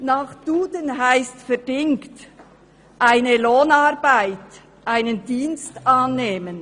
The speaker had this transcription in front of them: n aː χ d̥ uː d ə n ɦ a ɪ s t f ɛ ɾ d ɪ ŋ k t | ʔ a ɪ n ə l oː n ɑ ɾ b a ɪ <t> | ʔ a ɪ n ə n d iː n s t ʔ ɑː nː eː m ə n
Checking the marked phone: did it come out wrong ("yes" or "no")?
no